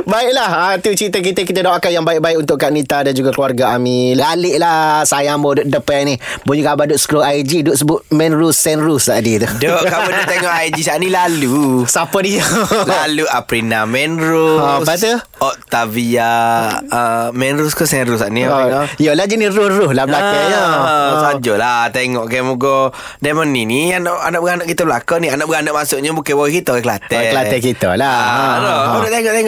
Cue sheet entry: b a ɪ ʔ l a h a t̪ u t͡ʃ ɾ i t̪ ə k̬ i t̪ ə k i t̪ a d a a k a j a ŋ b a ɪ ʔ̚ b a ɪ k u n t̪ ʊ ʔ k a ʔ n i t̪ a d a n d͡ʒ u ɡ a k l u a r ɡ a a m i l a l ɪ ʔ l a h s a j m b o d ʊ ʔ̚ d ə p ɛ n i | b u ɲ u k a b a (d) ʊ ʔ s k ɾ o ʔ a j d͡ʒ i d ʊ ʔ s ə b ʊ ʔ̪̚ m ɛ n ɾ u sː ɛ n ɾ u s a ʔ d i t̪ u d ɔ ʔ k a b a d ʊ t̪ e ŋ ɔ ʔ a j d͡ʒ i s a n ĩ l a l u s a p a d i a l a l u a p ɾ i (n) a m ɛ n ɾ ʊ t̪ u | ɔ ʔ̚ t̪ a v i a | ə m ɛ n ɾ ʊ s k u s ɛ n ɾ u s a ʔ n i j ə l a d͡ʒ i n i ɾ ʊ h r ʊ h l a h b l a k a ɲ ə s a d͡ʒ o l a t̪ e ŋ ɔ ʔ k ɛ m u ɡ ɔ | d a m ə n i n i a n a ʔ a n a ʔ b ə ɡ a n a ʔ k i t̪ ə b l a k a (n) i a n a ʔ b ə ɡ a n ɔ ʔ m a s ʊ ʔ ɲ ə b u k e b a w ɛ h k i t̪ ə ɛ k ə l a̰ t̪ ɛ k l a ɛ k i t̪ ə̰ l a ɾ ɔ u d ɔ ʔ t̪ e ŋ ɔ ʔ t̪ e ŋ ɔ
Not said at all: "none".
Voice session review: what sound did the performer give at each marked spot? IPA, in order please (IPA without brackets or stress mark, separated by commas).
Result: d, n, n